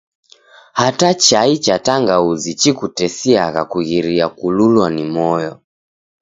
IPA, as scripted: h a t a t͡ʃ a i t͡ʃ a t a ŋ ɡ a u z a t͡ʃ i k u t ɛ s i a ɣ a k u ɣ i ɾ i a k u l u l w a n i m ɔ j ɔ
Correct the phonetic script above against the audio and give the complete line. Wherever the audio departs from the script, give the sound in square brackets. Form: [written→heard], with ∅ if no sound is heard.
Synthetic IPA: h a t a t͡ʃ a i t͡ʃ a t a ŋ ɡ a u z [a→i] t͡ʃ i k u t ɛ s i a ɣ a k u ɣ i ɾ i a k u l u l w a n i m ɔ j ɔ